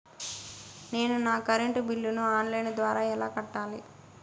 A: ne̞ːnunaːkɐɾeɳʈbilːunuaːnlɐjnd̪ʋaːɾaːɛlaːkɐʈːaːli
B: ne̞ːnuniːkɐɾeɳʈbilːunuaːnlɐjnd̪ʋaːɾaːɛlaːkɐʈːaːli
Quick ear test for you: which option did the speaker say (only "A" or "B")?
A